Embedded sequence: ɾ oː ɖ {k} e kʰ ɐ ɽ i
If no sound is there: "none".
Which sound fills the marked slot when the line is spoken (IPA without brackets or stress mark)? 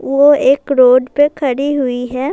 p